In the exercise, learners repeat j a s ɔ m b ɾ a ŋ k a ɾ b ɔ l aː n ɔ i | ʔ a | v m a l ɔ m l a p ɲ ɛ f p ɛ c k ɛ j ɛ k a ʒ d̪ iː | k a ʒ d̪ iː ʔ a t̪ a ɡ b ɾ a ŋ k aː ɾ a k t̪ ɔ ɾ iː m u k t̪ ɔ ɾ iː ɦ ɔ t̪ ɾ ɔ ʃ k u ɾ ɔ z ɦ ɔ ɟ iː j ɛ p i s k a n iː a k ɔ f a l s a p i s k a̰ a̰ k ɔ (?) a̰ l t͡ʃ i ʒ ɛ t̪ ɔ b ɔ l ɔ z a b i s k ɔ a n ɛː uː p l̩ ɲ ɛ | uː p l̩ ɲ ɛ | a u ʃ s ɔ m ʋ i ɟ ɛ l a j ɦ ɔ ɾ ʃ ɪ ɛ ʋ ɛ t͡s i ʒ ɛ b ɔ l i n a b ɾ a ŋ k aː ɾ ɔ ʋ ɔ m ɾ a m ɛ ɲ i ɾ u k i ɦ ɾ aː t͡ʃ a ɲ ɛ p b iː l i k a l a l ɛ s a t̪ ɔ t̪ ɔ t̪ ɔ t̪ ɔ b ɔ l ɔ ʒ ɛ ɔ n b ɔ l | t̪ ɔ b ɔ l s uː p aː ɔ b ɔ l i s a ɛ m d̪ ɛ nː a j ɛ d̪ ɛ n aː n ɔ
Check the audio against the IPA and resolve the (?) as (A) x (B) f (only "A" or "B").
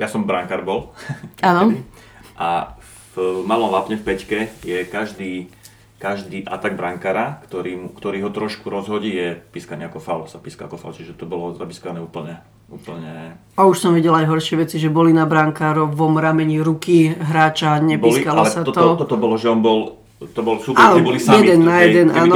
B